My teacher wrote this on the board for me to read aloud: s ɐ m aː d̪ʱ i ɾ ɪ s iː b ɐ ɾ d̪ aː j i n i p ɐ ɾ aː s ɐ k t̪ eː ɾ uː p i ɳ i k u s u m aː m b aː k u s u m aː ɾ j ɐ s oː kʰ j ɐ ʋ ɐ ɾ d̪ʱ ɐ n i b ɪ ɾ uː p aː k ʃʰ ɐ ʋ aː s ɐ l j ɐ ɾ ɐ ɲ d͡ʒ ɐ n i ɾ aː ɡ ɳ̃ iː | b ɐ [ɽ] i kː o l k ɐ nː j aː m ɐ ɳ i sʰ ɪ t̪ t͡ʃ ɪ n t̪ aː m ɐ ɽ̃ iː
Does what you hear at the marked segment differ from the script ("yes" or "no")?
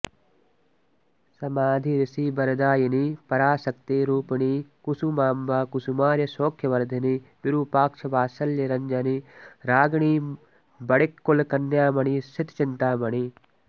no